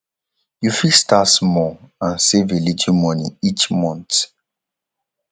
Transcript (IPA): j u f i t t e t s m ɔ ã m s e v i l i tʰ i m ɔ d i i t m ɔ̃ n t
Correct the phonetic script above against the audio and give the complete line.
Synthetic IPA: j u f i s t a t s m ɔ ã n s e v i l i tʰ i m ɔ n i i t͡ʃ m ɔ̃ n t